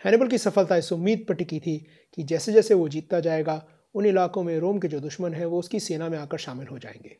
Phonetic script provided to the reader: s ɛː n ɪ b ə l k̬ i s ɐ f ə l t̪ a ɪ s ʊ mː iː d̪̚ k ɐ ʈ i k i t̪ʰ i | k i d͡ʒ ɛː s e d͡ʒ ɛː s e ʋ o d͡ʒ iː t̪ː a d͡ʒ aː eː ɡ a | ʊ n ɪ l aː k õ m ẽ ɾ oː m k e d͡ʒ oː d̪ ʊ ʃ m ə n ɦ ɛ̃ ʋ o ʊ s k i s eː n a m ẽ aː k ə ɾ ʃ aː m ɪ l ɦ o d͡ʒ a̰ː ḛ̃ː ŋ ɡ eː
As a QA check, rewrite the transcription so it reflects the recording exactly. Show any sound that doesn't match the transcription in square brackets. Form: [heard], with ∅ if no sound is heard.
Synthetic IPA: [h] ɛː n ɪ b ə l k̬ i s ɐ f ə l t̪ a ɪ s ʊ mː iː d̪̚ [p] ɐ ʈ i k i t̪ʰ i | k i d͡ʒ ɛː s e d͡ʒ ɛː s e ʋ o d͡ʒ iː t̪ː a d͡ʒ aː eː ɡ a | ʊ n ɪ l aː k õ m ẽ ɾ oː m k e d͡ʒ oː d̪ ʊ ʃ m ə n ɦ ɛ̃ ʋ o ʊ s k i s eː n a m ẽ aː k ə ɾ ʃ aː m ɪ l ɦ o d͡ʒ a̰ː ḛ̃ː ŋ ɡ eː